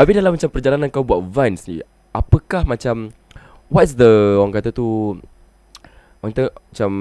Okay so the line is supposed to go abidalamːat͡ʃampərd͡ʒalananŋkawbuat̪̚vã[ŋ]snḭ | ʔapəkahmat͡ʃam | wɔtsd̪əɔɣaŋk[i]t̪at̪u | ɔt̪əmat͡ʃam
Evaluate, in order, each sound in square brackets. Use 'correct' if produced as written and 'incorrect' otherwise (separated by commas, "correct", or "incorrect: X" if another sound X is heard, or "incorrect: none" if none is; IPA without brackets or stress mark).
incorrect: n, incorrect: a